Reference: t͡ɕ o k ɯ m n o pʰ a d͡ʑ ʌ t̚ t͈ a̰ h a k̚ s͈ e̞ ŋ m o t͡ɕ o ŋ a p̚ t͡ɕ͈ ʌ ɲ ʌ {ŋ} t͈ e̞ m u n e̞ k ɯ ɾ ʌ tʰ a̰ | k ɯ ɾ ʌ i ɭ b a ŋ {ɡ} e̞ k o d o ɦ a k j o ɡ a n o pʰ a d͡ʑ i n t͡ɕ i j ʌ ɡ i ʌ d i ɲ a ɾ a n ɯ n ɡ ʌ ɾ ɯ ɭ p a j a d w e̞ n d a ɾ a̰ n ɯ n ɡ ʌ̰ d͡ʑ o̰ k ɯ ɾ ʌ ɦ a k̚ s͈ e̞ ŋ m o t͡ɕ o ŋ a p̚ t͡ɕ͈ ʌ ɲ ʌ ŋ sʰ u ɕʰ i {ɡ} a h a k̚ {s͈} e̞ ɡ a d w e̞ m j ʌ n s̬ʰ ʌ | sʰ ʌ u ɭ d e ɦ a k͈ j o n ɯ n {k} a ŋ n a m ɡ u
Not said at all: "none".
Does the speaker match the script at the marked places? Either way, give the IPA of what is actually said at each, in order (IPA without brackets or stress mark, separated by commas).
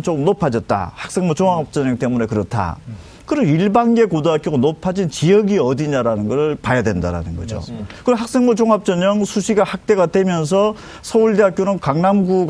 ŋ, ɡ, ɡ, t͈, k